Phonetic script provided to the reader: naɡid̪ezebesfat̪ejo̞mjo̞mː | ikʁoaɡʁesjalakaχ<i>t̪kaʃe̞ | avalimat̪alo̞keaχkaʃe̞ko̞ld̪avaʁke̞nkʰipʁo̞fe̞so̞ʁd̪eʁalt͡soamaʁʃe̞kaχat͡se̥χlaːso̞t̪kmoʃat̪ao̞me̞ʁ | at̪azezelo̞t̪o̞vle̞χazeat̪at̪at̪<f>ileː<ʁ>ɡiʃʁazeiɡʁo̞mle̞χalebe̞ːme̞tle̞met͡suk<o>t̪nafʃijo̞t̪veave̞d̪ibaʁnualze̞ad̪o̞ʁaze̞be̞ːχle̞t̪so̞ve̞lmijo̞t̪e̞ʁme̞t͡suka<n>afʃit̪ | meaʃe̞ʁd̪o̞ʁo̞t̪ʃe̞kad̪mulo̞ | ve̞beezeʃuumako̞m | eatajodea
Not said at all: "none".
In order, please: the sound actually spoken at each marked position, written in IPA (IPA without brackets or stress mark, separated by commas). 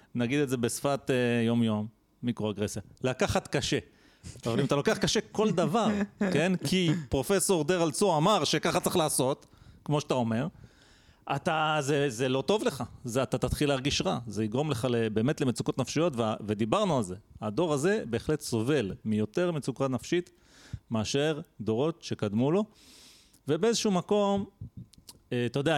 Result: a, χ, ʁ, o, n